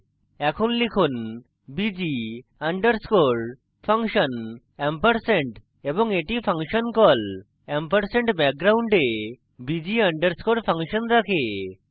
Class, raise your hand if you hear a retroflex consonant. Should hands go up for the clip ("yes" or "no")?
yes